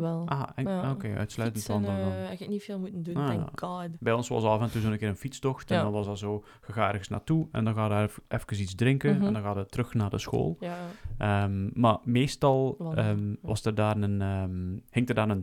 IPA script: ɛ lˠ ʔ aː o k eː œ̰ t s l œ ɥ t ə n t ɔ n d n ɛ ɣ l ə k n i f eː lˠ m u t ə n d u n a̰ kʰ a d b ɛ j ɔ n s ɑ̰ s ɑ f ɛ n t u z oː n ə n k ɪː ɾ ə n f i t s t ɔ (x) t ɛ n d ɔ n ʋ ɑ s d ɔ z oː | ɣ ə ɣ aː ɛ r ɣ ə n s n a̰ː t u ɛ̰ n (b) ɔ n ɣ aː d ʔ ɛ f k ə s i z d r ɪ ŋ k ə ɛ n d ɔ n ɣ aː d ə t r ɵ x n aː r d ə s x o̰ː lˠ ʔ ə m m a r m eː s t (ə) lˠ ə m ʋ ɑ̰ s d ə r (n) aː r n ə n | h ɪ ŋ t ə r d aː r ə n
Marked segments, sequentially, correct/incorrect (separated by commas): correct, incorrect, incorrect, incorrect